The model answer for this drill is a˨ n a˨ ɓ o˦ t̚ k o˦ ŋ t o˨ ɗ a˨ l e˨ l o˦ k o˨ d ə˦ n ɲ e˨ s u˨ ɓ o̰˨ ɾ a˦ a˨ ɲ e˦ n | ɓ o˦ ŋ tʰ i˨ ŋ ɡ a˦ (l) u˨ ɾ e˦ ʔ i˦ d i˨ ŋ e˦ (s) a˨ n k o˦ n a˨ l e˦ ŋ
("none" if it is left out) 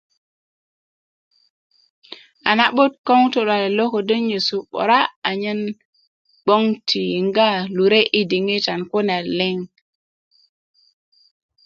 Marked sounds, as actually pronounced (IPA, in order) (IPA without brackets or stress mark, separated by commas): l, t